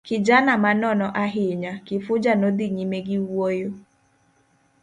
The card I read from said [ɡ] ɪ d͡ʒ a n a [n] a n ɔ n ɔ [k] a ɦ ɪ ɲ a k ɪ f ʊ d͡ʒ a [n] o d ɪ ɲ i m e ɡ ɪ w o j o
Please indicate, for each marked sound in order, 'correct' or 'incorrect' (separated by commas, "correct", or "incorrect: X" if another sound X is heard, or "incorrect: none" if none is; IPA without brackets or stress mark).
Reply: incorrect: k, incorrect: m, incorrect: ʔ, correct